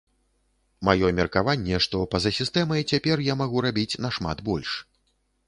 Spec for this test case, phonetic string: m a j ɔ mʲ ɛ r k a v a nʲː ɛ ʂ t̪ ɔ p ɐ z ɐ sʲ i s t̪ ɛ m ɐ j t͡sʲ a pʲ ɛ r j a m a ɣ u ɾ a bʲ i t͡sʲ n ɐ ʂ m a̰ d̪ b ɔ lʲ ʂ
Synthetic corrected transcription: m a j ɔ mʲ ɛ r k a v a nʲː ɛ ʂ t̪ ɔ p ɐ z ɐ sʲ i s t̪ ɛ m ɐ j t͡sʲ a pʲ ɛ r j a m a ɣ u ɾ a bʲ i t͡sʲ n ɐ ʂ m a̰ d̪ b ɔ lʲ ʂ